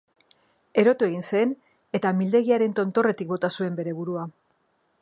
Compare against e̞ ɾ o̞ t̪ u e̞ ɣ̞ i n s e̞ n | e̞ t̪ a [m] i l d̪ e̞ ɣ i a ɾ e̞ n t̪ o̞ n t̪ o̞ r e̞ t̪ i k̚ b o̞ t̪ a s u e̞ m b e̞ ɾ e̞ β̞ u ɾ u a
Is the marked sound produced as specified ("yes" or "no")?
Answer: yes